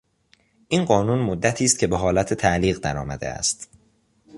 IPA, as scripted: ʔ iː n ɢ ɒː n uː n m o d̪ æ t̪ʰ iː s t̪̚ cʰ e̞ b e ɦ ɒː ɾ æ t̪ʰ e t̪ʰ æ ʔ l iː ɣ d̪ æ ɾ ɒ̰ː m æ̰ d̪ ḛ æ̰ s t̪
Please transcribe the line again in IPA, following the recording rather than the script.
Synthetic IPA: ʔ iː n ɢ ɒː n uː n m o d̪ː æ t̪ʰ iː s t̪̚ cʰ e̞ b e ɦ ɒː l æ t̪ʰ e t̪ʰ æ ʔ l iː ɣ d̪ æ ɾ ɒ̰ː m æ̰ d̪ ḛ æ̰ s t̪